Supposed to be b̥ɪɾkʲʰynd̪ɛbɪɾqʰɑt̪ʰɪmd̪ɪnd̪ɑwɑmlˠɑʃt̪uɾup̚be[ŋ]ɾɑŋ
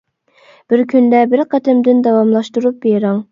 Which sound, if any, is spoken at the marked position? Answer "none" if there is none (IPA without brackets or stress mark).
none